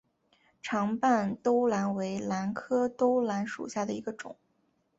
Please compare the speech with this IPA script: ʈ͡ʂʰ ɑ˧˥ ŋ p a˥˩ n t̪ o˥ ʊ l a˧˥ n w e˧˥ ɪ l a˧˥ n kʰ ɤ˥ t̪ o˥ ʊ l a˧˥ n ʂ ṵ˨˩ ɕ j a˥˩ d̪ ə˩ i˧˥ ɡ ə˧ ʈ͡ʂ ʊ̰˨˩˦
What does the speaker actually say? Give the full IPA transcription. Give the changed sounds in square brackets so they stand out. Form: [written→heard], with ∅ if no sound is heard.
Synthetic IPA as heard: ʈ͡ʂʰ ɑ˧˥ ŋ p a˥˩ n t̪ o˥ ʊ l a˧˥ n w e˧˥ ɪ l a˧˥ n kʰ ɤ˥ t̪ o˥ ʊ l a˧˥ n ʂ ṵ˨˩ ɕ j a˥˩ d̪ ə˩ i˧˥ ɡ ə˧ ʈ͡ʂ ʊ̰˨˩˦